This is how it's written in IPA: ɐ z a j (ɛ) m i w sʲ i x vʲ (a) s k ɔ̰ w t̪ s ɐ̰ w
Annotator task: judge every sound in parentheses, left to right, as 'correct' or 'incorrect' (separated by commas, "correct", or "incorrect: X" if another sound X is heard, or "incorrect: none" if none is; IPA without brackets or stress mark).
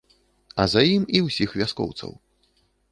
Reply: incorrect: i, correct